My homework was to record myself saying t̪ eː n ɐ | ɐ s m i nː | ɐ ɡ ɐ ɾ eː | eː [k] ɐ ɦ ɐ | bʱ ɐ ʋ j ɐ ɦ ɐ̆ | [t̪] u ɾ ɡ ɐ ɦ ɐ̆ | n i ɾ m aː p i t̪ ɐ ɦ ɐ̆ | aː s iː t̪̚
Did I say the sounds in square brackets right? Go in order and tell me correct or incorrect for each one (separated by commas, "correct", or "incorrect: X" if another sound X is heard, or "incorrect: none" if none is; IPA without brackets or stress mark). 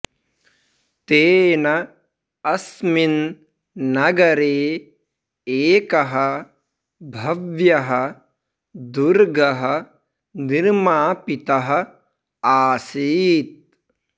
correct, incorrect: d̪